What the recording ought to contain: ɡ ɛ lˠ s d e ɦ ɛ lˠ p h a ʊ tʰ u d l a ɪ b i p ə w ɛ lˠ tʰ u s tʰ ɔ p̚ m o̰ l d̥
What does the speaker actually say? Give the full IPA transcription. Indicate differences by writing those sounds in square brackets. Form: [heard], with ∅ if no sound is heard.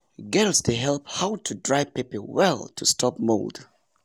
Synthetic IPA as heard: ɡ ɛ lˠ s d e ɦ ɛ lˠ p h a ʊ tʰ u d [ɹ] a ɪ [p] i p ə w ɛ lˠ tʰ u s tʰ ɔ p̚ m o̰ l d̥